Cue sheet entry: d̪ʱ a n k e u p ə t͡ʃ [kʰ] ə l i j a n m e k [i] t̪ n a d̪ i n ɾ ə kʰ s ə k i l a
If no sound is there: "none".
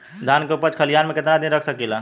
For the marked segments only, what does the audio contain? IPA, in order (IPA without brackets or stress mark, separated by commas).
kʰ, e